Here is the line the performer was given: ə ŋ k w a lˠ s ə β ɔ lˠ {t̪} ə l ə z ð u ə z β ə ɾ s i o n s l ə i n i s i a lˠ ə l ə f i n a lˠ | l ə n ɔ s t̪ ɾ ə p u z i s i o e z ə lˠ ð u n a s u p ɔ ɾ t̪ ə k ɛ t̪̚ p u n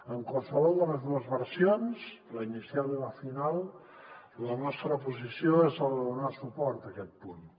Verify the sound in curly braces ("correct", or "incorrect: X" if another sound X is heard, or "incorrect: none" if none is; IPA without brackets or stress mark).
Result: incorrect: d̪